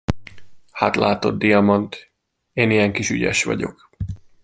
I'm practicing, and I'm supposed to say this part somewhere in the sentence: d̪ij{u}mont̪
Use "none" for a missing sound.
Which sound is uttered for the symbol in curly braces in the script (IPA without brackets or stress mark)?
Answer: ɒ